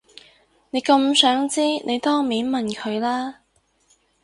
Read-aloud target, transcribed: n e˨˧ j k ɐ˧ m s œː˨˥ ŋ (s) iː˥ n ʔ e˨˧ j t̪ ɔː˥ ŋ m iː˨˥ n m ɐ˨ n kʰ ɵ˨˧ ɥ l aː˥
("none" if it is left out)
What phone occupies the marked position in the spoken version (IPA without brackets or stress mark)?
t͡s